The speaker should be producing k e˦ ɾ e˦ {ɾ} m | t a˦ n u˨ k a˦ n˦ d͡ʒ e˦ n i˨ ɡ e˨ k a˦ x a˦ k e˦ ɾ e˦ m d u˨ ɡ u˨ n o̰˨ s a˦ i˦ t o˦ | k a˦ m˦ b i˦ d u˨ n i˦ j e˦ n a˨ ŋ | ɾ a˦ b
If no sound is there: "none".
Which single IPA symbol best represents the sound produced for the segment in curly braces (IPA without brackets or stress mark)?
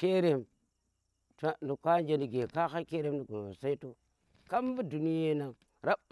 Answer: none